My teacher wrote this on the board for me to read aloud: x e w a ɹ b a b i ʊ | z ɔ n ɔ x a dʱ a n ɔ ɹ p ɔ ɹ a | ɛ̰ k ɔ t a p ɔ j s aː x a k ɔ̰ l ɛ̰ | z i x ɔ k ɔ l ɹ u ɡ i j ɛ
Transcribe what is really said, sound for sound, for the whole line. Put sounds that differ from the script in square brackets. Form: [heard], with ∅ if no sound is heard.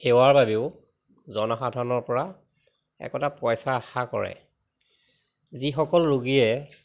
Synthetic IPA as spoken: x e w a ɹ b a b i ʊ | z ɔ n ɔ x a dʱ a n ɔ ɹ p ɔ ɹ a | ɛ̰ k ɔ t a p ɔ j s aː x a k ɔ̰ [ɹ] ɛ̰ | z i x ɔ k ɔ l ɹ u ɡ i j ɛ